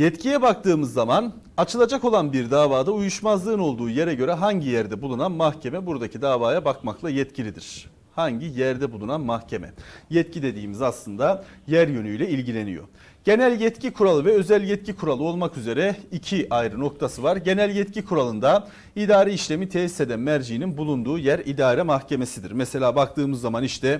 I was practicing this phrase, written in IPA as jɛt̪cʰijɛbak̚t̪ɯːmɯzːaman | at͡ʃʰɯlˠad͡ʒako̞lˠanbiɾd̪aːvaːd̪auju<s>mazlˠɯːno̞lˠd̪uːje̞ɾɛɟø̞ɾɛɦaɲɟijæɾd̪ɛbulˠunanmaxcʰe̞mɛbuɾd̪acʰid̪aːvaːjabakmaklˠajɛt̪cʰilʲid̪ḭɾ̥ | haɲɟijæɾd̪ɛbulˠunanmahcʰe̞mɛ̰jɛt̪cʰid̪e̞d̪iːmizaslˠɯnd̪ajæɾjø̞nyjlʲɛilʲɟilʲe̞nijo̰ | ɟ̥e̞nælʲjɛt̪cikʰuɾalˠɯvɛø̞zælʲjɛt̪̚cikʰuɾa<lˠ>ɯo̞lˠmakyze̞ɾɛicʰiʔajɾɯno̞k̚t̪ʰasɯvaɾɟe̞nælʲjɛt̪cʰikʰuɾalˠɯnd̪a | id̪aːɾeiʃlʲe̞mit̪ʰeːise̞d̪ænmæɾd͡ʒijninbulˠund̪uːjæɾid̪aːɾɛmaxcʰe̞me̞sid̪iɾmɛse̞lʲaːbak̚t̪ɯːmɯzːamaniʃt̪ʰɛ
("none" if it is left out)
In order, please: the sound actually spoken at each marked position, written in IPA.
ʃ, lˠ

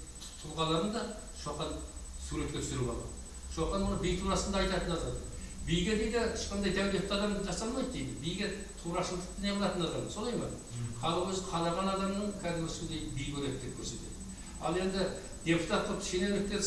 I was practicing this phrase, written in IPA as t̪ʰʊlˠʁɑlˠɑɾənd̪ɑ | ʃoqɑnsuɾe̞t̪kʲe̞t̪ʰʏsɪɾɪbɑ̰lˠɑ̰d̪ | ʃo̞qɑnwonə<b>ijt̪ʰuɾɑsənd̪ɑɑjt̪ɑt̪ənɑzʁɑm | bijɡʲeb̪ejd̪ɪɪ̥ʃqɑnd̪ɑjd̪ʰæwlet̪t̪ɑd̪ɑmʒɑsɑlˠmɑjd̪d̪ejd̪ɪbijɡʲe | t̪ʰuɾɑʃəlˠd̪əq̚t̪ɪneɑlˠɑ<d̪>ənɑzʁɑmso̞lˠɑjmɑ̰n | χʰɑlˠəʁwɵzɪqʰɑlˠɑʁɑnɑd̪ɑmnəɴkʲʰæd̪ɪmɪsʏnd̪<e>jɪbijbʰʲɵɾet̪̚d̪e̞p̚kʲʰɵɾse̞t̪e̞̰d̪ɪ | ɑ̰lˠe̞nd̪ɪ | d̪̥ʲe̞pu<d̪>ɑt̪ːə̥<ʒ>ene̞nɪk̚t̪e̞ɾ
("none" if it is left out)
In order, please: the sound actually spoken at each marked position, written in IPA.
b, t̪, e, t̪, ʃ

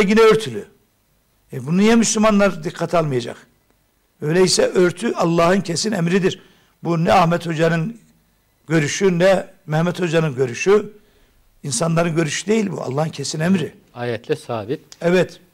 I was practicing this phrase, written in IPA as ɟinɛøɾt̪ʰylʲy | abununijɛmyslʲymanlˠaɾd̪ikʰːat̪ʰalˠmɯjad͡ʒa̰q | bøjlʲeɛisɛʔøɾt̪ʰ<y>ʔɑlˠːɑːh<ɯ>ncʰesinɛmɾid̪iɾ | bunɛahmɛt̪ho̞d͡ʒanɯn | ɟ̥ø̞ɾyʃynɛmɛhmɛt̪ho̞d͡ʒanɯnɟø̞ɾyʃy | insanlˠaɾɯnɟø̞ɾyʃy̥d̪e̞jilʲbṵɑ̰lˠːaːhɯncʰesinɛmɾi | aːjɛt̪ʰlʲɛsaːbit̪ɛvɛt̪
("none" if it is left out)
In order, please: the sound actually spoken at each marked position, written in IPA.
y, ɯ

